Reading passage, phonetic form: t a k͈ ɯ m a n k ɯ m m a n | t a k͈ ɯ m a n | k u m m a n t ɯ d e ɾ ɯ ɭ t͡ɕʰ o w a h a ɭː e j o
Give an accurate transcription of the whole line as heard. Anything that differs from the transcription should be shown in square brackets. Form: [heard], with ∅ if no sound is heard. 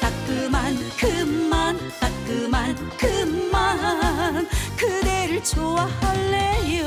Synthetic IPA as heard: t a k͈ ɯ m a n k ɯ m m a n | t a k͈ ɯ m a n | k [ɯ] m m a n [k] ɯ d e ɾ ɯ ɭ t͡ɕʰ o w a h a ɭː e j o